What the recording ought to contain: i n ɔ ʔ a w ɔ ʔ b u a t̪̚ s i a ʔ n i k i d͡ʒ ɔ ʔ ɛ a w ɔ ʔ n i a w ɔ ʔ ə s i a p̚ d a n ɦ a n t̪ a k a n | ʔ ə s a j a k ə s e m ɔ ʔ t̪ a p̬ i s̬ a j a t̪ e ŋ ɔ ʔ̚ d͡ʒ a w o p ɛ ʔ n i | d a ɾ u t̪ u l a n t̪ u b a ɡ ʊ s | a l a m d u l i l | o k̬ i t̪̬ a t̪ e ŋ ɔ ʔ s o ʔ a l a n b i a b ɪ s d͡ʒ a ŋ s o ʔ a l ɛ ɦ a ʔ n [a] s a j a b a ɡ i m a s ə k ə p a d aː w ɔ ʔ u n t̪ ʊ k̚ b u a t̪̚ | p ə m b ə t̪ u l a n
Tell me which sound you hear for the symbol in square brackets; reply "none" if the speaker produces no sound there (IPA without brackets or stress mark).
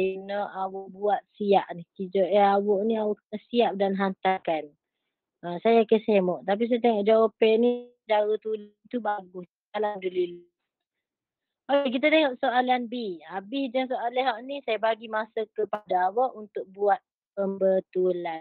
i